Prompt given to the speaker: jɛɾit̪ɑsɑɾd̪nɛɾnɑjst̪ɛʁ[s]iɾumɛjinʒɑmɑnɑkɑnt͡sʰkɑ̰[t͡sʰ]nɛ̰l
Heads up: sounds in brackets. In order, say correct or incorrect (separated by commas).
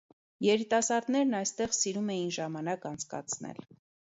correct, correct